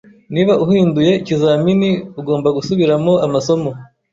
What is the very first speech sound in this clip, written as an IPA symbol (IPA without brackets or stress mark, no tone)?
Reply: n